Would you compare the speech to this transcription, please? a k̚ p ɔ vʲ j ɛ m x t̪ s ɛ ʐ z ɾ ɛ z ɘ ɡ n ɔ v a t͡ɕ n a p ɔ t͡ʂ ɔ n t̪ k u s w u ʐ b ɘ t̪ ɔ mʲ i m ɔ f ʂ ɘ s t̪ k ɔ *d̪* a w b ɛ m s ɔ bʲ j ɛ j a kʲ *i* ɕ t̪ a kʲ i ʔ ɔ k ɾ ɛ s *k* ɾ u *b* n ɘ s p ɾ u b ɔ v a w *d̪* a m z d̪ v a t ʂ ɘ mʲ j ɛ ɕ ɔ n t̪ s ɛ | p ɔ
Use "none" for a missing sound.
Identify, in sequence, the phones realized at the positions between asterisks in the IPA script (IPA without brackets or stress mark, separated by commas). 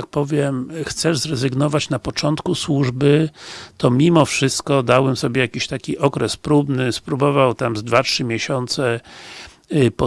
d̪, i, p, b, t̪